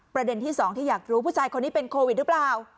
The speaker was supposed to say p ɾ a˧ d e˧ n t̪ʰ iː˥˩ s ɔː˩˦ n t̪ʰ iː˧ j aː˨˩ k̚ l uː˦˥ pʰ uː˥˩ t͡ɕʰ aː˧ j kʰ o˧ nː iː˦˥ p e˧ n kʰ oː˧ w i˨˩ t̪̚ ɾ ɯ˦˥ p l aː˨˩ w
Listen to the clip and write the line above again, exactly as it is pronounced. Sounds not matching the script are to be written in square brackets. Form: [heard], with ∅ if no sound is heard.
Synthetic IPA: p ɾ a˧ d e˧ n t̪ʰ iː˥˩ s ɔː˩˦ [ŋ] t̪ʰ [iː˥˩] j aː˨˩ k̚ [ɾ] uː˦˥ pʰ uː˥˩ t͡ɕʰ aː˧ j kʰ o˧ nː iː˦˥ p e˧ n kʰ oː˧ w i˨˩ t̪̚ ɾ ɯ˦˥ p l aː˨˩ w